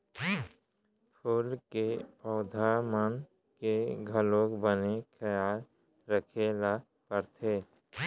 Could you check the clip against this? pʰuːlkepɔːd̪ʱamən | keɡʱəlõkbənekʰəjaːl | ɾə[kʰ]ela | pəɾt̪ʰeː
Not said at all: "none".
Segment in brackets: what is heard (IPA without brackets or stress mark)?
kʰ